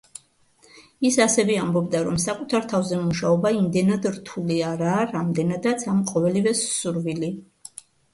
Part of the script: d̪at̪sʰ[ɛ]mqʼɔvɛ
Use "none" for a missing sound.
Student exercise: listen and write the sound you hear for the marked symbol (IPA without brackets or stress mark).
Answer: a